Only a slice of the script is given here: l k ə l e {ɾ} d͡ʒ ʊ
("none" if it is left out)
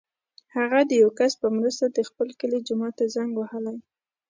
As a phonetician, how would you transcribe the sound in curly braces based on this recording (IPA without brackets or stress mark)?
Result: none